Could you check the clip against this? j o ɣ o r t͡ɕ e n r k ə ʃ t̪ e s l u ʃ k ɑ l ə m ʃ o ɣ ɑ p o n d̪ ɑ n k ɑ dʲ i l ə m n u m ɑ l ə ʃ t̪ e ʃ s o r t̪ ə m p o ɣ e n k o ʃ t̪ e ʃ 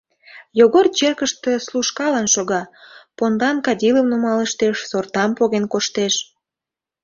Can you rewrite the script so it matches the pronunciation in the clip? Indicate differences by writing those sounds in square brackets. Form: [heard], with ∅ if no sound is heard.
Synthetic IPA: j o ɣ o r t͡ɕ e [∅] r k ə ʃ t̪ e s l u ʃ k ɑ l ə [n] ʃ o ɣ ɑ p o n d̪ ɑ n k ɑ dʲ i l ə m n u m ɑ l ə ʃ t̪ e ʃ s o r t̪ [ɑ] m p o ɣ e n k o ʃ t̪ e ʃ